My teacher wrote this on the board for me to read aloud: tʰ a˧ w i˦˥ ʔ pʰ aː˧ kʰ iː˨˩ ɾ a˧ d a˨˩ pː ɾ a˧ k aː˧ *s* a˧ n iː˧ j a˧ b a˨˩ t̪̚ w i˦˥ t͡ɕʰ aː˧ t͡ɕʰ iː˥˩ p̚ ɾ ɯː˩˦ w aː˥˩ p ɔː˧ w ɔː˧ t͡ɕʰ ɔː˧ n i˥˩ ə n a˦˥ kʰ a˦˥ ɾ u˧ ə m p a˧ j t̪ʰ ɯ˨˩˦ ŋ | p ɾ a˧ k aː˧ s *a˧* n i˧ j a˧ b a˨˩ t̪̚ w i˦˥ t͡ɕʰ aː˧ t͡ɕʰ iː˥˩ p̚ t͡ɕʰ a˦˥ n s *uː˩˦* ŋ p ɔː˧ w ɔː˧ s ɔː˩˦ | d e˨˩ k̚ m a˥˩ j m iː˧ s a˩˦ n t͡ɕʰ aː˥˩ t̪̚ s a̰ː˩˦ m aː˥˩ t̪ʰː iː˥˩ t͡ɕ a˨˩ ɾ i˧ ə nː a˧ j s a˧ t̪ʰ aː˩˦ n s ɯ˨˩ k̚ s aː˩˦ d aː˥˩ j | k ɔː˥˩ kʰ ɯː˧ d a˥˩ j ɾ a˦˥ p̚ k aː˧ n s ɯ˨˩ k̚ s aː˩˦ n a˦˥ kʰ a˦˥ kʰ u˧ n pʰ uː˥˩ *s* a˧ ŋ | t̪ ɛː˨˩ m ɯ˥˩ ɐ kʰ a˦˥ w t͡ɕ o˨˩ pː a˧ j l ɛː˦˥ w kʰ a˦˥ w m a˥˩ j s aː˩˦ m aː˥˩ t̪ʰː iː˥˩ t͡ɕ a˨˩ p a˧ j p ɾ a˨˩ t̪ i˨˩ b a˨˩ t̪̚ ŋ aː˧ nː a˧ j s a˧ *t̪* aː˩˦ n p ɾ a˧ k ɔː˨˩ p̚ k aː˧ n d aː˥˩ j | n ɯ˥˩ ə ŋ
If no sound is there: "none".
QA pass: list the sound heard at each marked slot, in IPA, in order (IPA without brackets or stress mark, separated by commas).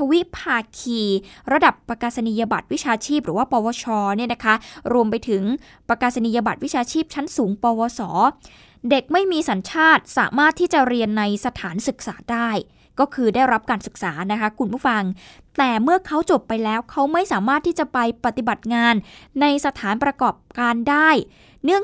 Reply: s, a˧, uː˩˦, f, t̪ʰ